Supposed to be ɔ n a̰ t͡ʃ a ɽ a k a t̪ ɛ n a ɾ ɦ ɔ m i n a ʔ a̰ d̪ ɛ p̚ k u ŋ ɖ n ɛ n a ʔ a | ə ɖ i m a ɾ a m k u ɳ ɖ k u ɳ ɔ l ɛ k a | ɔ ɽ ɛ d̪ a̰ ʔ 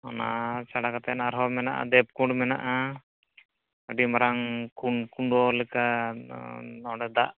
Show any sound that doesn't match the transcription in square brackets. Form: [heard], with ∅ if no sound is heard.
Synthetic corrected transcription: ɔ n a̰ t͡ʃ a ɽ a k a t̪ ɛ n a ɾ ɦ ɔ m [ɛ] n a ʔ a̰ d̪ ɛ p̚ k u [ɳ] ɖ [m] ɛ n a ʔ a | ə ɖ i m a ɾ a [ŋ] k u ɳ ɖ k u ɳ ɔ l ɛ k a | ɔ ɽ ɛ d̪ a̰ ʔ